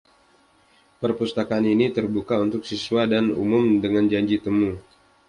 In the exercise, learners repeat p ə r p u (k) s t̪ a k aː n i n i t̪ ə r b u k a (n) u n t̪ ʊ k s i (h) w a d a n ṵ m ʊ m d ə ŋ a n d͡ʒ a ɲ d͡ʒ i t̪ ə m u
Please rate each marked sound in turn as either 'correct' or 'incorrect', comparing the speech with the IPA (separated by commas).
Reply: incorrect, incorrect, incorrect